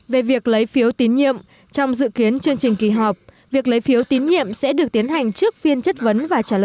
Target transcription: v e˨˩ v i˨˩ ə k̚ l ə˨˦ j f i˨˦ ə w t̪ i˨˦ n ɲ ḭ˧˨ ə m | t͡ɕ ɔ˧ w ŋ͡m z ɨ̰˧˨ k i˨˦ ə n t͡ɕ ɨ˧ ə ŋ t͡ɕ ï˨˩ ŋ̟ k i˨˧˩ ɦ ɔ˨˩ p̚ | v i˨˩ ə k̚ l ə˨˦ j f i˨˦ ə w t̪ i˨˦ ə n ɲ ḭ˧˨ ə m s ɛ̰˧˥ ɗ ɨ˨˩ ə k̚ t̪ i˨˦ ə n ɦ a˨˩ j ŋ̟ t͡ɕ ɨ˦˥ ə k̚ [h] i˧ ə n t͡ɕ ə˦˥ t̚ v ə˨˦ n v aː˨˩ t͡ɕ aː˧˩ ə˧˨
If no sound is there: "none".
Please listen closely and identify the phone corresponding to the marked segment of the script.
f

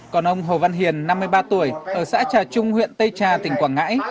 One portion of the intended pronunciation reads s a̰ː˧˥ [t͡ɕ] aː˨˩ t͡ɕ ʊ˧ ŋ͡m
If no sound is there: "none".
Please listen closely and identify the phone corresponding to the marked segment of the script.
t͡ɕ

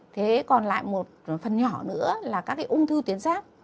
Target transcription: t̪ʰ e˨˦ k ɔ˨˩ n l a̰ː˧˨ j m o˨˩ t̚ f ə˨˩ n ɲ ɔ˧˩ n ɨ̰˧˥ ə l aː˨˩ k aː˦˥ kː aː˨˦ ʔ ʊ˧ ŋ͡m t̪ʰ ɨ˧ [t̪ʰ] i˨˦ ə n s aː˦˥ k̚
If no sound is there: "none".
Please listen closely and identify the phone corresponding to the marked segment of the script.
t̪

